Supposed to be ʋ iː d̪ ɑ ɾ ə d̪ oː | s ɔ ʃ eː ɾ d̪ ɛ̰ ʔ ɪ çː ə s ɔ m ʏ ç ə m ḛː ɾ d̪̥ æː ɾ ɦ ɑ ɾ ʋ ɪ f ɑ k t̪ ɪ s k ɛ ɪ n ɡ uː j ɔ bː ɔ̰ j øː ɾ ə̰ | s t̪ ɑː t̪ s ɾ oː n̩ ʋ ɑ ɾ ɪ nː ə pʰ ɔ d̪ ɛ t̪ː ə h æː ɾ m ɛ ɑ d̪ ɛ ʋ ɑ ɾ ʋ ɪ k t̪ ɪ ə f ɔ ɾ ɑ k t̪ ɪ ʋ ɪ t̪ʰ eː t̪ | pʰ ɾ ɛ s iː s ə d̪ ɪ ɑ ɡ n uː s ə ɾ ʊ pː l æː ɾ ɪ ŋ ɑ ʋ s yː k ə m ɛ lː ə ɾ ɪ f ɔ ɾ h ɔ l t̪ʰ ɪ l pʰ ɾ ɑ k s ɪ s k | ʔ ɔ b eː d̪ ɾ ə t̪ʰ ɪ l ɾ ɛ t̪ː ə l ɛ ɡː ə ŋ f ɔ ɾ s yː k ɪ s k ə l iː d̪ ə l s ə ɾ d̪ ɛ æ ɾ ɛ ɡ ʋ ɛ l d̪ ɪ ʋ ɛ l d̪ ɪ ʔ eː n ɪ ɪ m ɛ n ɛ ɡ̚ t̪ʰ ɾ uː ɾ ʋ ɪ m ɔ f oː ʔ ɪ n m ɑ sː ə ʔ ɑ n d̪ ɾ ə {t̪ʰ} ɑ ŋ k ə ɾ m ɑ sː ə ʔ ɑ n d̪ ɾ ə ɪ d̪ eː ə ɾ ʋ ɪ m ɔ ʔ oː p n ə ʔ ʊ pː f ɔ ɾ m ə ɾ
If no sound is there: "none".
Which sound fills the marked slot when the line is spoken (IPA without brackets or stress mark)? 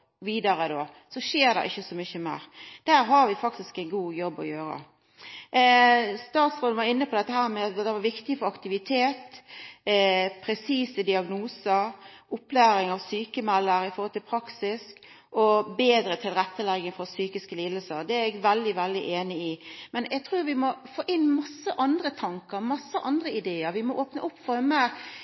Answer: t̪ʰ